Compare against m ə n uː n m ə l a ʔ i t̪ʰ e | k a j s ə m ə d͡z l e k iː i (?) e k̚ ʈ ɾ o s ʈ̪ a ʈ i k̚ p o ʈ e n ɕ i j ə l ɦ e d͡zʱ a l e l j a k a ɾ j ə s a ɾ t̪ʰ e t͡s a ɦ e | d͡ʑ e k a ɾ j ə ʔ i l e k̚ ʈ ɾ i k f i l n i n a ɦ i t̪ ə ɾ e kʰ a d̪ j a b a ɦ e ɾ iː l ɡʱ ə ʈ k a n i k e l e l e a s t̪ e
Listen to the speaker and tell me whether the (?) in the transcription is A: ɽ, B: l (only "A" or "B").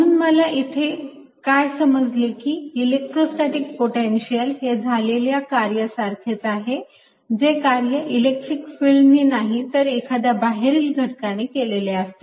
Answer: B